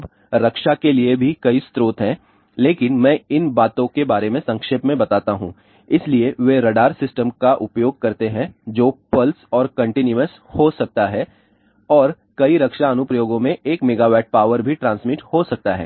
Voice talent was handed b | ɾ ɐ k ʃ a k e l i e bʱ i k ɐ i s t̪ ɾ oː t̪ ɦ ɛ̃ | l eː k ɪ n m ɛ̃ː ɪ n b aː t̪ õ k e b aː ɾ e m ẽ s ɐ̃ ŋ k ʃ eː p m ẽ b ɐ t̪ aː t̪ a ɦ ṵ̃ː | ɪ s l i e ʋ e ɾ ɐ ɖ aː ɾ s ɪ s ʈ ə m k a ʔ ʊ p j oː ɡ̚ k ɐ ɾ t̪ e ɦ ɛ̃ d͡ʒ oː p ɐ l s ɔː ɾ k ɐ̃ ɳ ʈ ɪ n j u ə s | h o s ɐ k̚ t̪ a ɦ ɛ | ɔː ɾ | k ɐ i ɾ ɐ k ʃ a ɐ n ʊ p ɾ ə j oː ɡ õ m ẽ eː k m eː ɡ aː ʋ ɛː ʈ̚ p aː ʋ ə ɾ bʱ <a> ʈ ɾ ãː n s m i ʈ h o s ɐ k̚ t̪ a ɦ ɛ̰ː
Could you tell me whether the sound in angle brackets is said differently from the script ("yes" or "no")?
yes